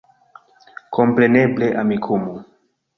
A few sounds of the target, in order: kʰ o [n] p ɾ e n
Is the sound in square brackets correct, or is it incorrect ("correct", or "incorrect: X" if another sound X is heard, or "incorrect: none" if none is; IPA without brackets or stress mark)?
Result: incorrect: m